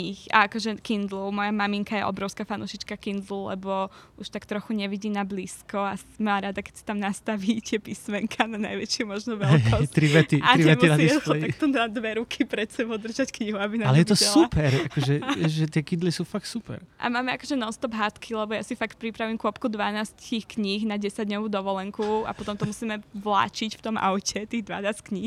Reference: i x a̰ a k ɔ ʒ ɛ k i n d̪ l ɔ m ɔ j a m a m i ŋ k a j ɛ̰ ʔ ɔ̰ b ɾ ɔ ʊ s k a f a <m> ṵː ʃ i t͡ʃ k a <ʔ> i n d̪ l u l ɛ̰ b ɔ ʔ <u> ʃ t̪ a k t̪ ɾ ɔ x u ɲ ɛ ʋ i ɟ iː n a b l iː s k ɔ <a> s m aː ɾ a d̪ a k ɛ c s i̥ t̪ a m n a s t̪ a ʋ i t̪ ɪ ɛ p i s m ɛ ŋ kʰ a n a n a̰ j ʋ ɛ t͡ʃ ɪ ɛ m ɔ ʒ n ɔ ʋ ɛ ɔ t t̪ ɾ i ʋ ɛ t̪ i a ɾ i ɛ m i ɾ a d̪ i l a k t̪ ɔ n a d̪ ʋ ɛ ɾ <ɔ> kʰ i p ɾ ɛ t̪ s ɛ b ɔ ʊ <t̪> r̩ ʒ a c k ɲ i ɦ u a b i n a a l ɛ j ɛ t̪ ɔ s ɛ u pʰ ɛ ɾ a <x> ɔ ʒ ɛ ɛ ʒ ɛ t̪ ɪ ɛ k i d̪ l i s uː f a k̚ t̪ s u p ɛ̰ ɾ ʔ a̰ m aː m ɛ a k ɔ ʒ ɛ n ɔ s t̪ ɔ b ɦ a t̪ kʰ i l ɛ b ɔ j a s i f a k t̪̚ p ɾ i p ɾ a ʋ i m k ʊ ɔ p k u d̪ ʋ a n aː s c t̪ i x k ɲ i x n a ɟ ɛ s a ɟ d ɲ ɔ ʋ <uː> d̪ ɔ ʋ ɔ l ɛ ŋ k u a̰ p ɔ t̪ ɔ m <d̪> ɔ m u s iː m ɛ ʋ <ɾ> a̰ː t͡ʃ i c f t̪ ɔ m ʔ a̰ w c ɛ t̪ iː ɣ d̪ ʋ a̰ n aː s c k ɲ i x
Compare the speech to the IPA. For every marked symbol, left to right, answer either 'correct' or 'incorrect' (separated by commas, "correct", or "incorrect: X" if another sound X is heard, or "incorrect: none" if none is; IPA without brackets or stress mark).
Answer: incorrect: n, incorrect: k, correct, correct, incorrect: u, incorrect: d̪, incorrect: k, correct, incorrect: t̪, incorrect: l